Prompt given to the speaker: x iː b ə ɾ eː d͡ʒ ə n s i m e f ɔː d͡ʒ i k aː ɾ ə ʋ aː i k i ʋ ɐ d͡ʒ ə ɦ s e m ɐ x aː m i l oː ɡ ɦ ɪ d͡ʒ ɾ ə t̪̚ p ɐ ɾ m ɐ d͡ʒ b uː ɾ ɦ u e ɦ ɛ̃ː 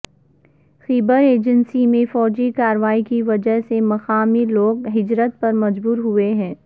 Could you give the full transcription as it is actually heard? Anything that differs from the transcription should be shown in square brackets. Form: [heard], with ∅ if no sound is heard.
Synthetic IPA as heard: x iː b ə ɾ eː d͡ʒ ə n s i m [ẽ] f ɔː d͡ʒ i k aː ɾ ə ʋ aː i k i ʋ ɐ d͡ʒ ə ɦ s e m ɐ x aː m i l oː ɡ ɦ ɪ d͡ʒ ɾ ə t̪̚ p ɐ ɾ m ɐ d͡ʒ b uː ɾ ɦ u e ɦ ɛ̃ː

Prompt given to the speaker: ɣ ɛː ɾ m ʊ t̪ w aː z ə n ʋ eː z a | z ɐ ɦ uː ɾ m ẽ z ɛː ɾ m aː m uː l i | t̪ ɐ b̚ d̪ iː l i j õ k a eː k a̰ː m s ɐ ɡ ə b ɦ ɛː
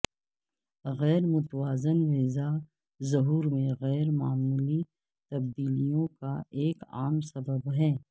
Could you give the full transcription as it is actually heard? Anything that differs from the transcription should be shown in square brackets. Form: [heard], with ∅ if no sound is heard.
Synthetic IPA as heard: ɣ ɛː ɾ m ʊ t̪ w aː z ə n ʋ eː z a | z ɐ ɦ uː ɾ m ẽ [ɣ] ɛː ɾ m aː m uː l i | t̪ ɐ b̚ d̪ iː l i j õ k a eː k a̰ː m s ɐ [b] ə b ɦ ɛː

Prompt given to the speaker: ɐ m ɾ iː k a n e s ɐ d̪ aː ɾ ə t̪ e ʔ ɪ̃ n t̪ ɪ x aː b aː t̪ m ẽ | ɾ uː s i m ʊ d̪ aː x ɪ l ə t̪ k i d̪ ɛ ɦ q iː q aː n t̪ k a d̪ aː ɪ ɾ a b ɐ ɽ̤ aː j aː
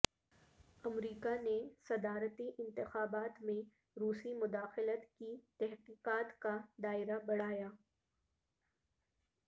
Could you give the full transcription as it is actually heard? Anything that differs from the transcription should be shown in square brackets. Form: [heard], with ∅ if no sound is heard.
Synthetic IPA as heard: ɐ m ɾ iː k a n e s ɐ d̪ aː ɾ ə t̪ [i] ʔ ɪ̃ n t̪ ɪ x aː b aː t̪ m ẽ | ɾ uː s i m ʊ d̪ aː x ɪ l ə t̪ k i [t̪] ɛ ɦ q iː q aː [∅] t̪ k a d̪ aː ɪ ɾ a b ɐ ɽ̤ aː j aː

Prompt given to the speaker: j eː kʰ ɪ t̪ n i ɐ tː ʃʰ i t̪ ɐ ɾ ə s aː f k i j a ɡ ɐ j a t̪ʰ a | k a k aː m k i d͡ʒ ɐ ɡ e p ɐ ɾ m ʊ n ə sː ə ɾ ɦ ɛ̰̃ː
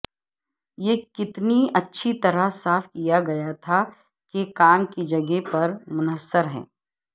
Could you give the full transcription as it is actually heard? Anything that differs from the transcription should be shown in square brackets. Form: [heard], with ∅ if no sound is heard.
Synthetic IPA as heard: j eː [k] ɪ t̪ n i ɐ tː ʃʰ i t̪ ɐ ɾ ə s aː f k i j a ɡ ɐ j a t̪ʰ a | k [e] k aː m k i d͡ʒ ɐ ɡ e p ɐ ɾ m ʊ n ə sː ə ɾ ɦ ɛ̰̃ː

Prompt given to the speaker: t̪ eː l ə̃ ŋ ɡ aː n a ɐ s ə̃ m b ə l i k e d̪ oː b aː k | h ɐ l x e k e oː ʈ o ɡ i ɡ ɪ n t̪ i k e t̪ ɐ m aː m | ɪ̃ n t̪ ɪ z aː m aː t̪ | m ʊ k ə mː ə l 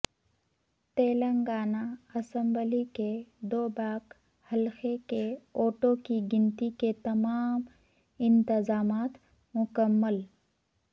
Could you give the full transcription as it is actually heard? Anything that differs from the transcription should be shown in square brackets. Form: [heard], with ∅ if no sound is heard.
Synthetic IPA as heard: t̪ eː l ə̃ ŋ ɡ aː n a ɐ s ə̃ m b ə l i k e d̪ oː b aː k | h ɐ l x e k e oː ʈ o [k] i ɡ ɪ n t̪ i k e t̪ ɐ m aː m | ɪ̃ n t̪ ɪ z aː m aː t̪ | m ʊ k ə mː ə l

